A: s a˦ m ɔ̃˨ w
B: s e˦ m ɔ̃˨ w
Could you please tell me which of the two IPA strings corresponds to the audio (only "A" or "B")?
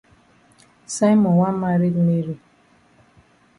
A